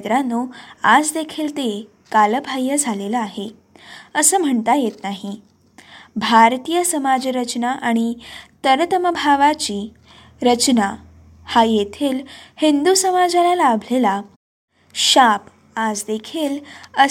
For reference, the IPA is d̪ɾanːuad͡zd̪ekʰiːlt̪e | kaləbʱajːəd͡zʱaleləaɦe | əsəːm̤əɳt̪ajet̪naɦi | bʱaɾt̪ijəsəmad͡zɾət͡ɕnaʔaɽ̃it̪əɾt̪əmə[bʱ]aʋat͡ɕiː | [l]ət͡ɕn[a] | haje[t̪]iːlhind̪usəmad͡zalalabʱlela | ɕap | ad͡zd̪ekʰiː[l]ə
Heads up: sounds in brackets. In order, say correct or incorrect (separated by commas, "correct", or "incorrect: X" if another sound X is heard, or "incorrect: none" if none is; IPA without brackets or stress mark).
correct, incorrect: ɾ, correct, incorrect: t̪ʰ, correct